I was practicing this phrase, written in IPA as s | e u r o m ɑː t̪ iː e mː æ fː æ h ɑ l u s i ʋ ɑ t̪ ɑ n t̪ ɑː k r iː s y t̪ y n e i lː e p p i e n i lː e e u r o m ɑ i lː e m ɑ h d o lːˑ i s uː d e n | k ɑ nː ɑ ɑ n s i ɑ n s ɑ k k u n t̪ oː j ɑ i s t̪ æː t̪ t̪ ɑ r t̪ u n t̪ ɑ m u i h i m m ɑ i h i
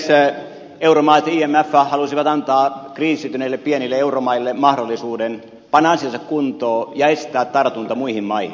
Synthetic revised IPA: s | e u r o m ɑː t̪ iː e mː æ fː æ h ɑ l u s i ʋ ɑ t̪ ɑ n t̪ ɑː k r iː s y t̪ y n e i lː e p p i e n i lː e e u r o m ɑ i lː e m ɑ h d o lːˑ i s uː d e n | p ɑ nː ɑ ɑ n s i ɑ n s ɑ k k u n t̪ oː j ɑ e s t̪ æː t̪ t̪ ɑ r t̪ u n t̪ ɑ m u i h i m m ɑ i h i